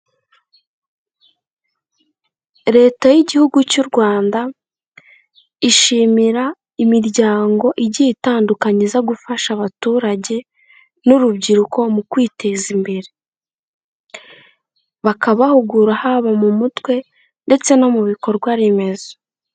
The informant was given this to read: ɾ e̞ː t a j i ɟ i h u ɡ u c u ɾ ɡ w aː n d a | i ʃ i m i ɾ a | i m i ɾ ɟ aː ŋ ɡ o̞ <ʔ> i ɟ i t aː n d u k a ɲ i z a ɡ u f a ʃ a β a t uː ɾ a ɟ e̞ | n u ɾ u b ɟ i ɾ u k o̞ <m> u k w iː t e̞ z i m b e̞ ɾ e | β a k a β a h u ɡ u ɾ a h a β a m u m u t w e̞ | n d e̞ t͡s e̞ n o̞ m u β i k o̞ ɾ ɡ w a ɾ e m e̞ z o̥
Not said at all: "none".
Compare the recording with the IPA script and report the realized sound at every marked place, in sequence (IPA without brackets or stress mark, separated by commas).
ʔ, m